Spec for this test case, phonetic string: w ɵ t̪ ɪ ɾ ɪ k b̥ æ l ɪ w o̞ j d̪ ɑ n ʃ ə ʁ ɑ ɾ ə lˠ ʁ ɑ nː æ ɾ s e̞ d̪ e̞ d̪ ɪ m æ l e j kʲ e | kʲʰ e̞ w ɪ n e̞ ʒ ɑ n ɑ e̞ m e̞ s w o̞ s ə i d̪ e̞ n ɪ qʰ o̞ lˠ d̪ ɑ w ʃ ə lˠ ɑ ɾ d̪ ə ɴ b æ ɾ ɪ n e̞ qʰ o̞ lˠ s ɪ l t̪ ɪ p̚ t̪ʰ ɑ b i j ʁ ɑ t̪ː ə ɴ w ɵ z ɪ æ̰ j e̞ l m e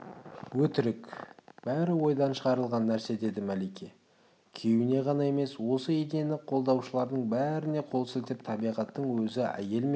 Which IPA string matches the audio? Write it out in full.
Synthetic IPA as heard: w ɵ t̪ ɪ ɾ ɪ k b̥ æ ɾ ɪ w o̞ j d̪ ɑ n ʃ ə ʁ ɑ ɾ ə lˠ ʁ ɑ nː æ ɾ s e̞ d̪ e̞ d̪ ɪ m æ l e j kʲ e | kʲʰ e̞ w ɪ n e̞ ʁ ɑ n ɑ e̞ m e̞ s w o̞ s ə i d̪ e̞ n ɪ qʰ o̞ lˠ d̪ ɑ w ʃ ə lˠ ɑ ɾ d̪ ə ɴ b æ ɾ ɪ n e̞ qʰ o̞ lˠ s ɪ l t̪ ɪ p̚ t̪ʰ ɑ b i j ʁ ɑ t̪ː ə ɴ w ɵ z ɪ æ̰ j e̞ l m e